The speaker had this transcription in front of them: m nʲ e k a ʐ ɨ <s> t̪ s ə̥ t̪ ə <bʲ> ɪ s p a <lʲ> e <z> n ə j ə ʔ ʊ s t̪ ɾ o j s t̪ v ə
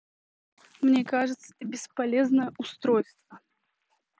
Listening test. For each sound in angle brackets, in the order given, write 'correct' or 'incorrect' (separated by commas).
incorrect, correct, correct, correct